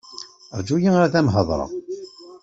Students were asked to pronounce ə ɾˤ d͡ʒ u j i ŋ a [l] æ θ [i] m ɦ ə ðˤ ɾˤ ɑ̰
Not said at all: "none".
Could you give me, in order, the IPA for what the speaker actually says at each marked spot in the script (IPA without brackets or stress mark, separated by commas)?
ɾ, æ